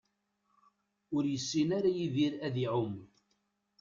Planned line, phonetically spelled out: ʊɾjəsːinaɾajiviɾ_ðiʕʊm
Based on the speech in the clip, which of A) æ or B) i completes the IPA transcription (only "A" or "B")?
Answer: A